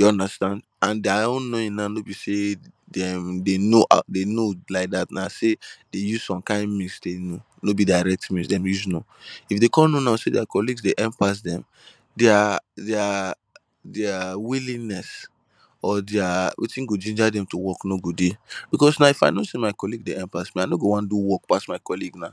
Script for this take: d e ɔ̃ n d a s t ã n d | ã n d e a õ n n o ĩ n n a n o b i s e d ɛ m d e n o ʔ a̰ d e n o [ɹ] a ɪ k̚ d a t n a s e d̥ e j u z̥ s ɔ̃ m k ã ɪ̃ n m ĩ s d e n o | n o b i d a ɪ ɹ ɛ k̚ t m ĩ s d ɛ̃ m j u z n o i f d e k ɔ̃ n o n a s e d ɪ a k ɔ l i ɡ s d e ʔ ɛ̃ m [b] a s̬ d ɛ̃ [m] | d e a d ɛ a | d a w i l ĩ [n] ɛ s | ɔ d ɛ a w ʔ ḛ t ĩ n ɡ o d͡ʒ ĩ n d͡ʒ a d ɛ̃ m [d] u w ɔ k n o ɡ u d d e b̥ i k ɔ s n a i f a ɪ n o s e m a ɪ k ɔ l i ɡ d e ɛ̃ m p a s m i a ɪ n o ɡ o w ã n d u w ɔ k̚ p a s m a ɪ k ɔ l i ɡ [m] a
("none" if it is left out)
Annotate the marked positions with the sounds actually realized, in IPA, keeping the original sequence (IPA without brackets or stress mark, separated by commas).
l, p, m, n, t, n